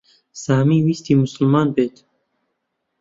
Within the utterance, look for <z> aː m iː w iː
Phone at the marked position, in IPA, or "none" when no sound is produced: s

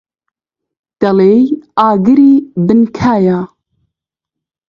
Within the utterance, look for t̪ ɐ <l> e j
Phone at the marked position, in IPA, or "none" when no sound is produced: l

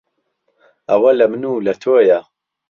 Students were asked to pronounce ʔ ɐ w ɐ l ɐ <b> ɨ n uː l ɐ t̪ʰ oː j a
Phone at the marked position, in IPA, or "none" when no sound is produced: m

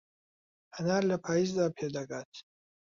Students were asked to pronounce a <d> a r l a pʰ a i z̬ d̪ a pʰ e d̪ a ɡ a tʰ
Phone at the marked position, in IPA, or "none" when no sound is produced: n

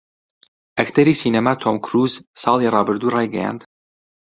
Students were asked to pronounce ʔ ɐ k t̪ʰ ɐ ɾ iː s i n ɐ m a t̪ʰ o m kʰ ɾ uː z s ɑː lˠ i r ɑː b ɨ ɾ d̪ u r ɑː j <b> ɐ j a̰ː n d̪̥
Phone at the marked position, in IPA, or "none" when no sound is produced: ɡ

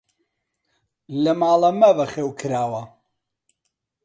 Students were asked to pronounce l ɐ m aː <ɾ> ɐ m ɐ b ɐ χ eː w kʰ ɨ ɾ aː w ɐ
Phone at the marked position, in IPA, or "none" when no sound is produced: l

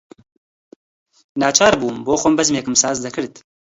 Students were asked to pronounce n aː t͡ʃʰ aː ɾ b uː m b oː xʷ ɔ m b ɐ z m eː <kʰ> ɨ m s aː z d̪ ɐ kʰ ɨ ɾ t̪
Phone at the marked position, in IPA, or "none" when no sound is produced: k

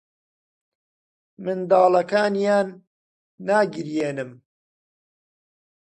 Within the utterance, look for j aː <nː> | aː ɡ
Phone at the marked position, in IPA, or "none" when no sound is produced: nː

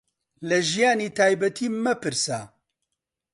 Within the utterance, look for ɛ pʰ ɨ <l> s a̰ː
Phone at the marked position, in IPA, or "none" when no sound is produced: ɾ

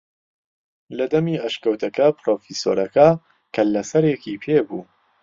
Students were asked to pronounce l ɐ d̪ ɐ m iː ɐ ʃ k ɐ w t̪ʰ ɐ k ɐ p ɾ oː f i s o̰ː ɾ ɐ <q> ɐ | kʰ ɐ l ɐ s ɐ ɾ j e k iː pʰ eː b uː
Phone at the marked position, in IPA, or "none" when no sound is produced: k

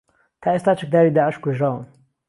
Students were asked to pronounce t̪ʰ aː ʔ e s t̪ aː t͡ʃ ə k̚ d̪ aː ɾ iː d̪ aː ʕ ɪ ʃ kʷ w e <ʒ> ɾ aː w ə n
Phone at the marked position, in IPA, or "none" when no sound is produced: ʒ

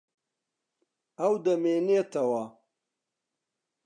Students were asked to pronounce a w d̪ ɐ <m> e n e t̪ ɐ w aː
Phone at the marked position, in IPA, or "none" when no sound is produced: m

